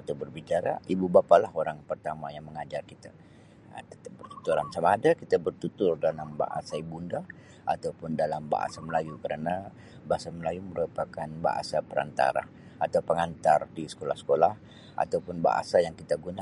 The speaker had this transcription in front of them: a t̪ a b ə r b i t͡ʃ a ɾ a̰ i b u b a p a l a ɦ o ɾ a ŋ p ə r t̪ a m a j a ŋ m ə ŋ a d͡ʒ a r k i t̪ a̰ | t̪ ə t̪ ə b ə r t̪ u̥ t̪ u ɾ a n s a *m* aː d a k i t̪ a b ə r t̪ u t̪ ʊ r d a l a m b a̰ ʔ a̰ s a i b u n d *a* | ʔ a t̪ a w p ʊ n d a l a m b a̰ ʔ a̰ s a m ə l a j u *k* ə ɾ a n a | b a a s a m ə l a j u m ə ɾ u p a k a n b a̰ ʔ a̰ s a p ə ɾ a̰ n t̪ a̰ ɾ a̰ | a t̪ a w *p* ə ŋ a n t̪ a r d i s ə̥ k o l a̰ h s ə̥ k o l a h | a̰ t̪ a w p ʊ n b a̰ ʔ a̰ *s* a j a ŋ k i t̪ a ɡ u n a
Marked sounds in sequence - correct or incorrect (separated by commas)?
correct, correct, correct, correct, correct